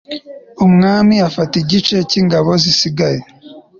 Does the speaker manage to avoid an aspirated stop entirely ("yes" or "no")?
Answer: yes